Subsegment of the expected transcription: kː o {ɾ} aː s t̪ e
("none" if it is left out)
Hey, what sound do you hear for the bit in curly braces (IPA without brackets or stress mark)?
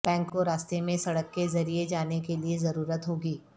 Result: ɾ